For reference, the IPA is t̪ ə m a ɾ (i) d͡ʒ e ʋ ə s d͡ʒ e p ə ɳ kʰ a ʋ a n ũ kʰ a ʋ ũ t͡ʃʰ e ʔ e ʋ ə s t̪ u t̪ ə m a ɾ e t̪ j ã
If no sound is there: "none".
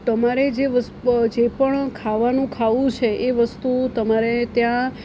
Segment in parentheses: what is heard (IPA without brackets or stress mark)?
e